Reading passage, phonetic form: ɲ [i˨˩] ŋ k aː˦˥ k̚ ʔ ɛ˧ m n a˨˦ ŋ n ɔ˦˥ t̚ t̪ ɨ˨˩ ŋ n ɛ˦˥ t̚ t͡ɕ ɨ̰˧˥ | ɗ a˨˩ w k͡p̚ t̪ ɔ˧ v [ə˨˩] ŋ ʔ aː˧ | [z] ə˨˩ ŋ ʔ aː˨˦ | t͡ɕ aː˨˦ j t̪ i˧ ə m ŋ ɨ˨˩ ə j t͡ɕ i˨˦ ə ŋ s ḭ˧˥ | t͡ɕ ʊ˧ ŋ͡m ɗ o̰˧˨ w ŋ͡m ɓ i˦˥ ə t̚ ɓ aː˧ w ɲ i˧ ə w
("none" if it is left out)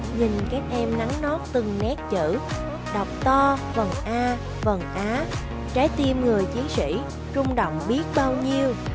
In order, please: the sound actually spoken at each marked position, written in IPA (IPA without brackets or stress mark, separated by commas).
i˨˩, ə˨˩, v